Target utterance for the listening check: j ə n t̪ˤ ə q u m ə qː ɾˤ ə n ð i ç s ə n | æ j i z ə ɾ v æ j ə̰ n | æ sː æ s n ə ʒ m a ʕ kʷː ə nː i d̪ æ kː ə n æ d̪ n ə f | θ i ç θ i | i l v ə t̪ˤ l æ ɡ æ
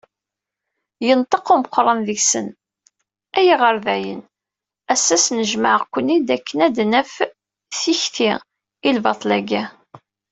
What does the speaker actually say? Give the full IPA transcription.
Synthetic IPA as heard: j ə n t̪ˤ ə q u m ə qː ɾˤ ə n ð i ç s ə n | æ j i ʁ ə ɾ v æ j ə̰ n | æ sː æ s n ə ʒ m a ʕ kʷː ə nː i d̪ æ kː ə n æ d̪ n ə f | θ i ç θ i | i l v ɑ t̪ˤ l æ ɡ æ